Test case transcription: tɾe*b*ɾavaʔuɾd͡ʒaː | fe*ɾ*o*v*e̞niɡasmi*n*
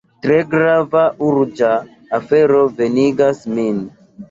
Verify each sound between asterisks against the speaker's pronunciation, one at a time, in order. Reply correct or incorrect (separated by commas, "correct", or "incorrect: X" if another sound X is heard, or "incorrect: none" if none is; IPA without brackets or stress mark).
incorrect: ɡ, correct, correct, correct